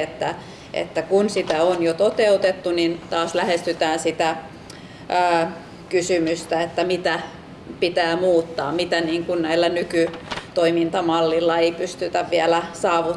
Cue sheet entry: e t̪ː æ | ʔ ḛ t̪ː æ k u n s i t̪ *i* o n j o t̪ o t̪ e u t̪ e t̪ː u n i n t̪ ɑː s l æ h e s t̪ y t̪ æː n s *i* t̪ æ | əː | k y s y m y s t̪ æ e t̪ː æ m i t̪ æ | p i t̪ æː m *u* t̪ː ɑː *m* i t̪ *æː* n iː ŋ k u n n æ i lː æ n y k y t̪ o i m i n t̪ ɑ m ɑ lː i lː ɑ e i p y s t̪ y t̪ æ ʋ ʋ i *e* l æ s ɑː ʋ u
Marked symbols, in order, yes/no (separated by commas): no, yes, no, yes, no, no